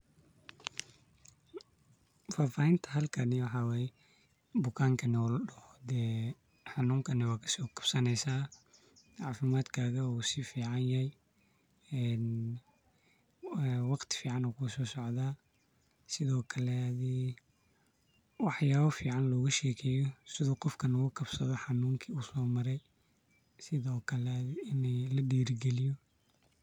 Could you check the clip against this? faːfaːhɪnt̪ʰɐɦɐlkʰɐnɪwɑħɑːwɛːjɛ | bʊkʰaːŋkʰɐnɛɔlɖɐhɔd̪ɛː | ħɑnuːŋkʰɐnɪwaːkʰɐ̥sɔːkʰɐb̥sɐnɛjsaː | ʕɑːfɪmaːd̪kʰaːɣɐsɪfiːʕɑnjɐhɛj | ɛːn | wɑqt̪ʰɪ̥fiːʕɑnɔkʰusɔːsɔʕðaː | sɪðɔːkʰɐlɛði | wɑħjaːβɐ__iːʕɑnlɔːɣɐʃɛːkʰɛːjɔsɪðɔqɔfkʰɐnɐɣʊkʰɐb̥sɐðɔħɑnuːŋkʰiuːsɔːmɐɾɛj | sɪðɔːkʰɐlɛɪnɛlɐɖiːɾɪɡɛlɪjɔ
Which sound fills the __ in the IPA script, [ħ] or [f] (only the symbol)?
f